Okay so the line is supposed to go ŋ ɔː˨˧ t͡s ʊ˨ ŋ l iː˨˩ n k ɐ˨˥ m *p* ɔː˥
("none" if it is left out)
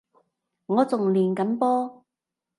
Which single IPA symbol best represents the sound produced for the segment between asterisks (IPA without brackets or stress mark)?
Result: p